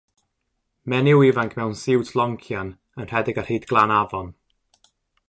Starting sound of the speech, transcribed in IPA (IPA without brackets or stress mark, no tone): m